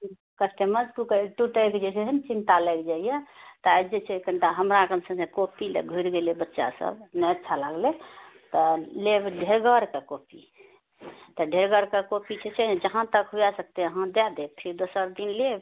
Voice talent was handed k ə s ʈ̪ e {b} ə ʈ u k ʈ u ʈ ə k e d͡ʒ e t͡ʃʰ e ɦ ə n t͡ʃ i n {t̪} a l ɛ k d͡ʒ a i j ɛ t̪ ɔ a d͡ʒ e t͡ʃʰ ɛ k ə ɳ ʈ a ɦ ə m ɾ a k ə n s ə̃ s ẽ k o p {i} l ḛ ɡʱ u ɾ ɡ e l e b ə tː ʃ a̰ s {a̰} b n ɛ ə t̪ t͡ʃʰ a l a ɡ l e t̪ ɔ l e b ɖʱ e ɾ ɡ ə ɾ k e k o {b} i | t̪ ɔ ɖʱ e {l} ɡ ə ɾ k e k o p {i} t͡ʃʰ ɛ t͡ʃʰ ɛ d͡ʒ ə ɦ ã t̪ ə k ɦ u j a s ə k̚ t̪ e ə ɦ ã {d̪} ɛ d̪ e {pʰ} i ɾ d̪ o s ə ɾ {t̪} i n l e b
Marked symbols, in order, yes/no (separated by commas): no, yes, yes, no, no, no, yes, yes, yes, no